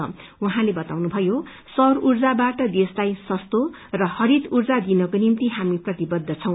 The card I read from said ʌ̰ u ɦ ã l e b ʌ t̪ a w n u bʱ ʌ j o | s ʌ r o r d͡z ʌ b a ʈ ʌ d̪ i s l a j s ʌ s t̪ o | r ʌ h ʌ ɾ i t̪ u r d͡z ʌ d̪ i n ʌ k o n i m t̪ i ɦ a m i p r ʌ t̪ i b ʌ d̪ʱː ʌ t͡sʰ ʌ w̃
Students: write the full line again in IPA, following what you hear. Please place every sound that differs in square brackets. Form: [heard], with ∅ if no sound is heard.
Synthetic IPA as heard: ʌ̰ u ɦ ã l e b ʌ t̪ a w n u bʱ ʌ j o | s ʌ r [u] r d͡z [a] b a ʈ ʌ d̪ [e] s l a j s ʌ s t̪ o | r ʌ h ʌ ɾ i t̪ u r d͡z [a] d̪ i n ʌ k o n i m t̪ i ɦ a m i p r ʌ t̪ i b ʌ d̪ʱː ʌ t͡sʰ ʌ w̃

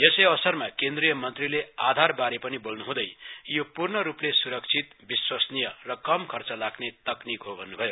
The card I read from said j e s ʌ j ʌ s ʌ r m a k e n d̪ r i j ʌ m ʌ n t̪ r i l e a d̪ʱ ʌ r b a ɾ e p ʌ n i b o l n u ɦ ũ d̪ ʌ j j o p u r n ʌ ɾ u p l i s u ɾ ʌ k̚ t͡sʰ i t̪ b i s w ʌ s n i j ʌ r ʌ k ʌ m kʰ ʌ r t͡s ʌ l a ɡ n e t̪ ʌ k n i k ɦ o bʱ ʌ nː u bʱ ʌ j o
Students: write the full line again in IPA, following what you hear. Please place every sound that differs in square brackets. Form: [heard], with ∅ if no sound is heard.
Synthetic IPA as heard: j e s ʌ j ʌ s ʌ r m a k e n d̪ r i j ʌ m ʌ n t̪ r i l e a d̪ʱ [a] r b a ɾ e p ʌ n i b o l n u ɦ ũ d̪ ʌ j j o p u r n ʌ ɾ u p l [e] s u ɾ ʌ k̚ t͡sʰ i t̪ b i s w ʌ s n i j ʌ r ʌ k ʌ m kʰ ʌ r t͡s ʌ l a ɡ n e t̪ ʌ k n i k ɦ o bʱ ʌ nː u bʱ ʌ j o

